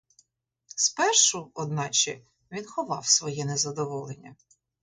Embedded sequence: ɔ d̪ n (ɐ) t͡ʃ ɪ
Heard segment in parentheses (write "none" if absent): ɑ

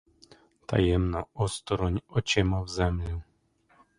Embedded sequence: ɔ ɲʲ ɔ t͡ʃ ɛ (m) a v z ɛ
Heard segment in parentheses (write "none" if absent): m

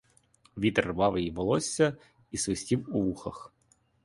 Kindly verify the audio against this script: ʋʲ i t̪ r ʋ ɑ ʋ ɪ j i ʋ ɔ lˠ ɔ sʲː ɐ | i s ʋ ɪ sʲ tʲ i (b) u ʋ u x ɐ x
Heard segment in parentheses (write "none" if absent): w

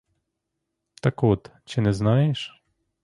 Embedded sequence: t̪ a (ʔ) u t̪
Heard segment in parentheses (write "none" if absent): k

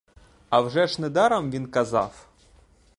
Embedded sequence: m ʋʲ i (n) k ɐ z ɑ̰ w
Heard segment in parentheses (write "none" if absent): n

